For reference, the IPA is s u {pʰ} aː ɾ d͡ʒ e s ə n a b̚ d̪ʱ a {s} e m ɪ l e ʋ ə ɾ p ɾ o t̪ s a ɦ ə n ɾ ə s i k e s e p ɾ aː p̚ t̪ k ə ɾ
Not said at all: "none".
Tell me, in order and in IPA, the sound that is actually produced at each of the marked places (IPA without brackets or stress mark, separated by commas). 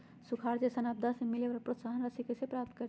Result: kʰ, s